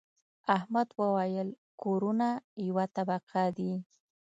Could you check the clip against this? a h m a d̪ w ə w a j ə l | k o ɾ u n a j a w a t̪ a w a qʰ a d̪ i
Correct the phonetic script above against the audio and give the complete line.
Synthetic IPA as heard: a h m a d̪ w ə w a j ə l | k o ɾ u n a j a w a t̪ a b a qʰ a d̪ i

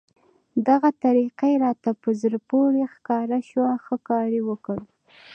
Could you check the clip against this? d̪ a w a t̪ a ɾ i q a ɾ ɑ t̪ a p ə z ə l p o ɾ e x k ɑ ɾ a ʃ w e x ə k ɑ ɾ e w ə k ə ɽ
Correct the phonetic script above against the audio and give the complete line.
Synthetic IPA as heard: d̪ a ɣ a t̪ a ɾ i q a ɾ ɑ t̪ a p ə z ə ɾ p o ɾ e x k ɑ ɾ a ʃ w a x ə k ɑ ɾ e w ə k ə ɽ

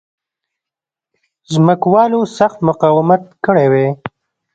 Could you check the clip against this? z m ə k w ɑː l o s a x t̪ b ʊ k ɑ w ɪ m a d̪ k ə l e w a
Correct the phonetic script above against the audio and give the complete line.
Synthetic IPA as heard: z m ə k w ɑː l o s a x t̪ m ʊ q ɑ w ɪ m a t̪ k ə ɽ e w e

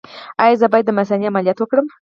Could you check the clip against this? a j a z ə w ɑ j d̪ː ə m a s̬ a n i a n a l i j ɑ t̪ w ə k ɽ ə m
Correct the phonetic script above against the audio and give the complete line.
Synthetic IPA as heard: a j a z ə b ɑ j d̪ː ə m a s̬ a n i a m a l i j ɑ t̪ w ə k ɽ ə m

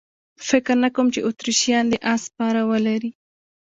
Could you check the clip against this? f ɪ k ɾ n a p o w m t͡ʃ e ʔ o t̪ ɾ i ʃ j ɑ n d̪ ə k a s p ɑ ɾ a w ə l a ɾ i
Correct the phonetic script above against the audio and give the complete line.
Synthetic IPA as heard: f ɪ k ɾ n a k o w m t͡ʃ e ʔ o t̪ ɾ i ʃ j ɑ n d̪ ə ʔ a s p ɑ ɾ a w ə l a ɾ i

